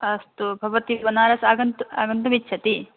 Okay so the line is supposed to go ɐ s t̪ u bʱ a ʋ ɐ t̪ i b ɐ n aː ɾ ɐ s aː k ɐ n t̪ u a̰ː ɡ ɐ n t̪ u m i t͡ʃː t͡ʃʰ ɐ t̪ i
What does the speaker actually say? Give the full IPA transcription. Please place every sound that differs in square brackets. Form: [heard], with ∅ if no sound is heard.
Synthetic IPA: ɐ s t̪ u bʱ [ɐ] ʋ ɐ t̪ i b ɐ n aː ɾ ɐ s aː [ɡ] ɐ n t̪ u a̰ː ɡ ɐ n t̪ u m i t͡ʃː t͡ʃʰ ɐ t̪ i